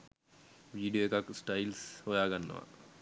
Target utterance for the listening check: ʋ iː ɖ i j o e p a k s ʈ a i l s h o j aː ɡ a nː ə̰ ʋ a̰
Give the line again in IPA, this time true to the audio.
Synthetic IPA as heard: ʋ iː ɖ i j o e k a k s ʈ a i l s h o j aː ɡ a nː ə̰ ʋ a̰